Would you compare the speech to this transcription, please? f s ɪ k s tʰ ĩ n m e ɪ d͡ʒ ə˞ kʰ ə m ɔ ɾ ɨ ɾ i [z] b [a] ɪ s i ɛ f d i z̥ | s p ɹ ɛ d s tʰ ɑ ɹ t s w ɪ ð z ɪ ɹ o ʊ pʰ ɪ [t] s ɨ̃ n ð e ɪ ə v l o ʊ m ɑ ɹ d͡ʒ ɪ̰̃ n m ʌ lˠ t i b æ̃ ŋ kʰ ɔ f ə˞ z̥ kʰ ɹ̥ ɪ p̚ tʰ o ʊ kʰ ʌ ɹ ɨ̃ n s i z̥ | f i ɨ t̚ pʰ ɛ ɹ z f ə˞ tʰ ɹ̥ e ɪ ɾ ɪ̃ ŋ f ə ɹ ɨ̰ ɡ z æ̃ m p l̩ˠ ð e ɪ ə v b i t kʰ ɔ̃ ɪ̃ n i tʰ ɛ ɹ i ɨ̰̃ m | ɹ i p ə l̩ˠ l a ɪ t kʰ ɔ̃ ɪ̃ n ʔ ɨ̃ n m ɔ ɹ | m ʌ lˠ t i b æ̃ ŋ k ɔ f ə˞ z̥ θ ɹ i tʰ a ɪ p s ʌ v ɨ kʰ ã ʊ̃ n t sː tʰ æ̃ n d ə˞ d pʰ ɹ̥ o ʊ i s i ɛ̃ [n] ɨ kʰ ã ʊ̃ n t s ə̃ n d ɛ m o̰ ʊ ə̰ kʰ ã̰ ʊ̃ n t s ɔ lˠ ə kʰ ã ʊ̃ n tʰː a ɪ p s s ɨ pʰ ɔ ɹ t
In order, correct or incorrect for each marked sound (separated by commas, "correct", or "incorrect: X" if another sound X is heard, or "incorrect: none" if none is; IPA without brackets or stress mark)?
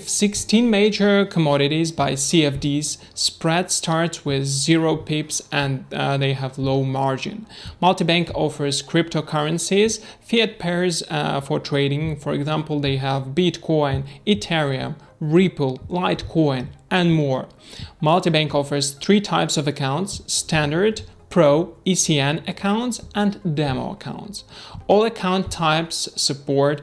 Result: correct, correct, incorrect: p, correct